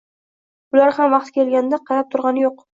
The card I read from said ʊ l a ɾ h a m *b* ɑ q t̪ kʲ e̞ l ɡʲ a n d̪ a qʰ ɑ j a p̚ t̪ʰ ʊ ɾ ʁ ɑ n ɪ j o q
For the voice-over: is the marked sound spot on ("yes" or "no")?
no